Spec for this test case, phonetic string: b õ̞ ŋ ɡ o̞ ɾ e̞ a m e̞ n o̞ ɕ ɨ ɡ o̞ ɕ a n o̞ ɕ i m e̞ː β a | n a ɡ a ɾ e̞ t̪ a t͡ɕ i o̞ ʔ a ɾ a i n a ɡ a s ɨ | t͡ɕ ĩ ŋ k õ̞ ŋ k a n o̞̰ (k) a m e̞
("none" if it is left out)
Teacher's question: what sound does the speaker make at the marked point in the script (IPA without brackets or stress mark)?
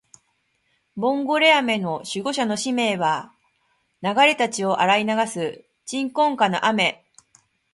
ʔ